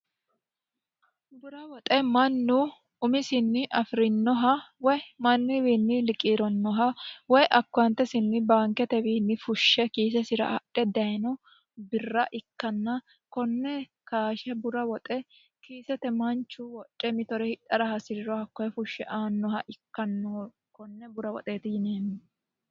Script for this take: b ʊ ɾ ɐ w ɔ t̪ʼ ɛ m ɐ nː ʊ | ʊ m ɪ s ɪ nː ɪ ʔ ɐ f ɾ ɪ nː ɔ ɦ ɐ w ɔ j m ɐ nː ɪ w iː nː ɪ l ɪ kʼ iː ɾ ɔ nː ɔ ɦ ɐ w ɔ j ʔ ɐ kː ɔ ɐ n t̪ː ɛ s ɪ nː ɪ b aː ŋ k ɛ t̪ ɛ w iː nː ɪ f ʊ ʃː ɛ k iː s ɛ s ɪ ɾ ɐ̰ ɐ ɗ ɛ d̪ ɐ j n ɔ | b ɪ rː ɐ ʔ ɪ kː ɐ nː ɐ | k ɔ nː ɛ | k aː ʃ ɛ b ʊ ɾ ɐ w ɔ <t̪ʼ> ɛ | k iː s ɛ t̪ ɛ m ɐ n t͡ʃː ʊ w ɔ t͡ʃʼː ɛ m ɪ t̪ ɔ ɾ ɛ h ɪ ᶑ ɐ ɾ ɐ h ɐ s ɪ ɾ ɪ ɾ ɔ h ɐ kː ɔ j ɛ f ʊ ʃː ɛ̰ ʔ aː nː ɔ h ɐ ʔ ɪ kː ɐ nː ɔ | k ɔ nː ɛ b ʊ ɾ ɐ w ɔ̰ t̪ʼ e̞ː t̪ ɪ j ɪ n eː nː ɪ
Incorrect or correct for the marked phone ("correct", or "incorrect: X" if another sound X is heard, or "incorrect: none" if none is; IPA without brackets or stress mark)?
correct